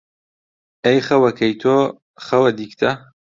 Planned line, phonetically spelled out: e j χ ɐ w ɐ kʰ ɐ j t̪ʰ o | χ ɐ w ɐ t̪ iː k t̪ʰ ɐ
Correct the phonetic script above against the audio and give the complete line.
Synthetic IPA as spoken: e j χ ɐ w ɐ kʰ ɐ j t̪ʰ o | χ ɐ w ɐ d̪ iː k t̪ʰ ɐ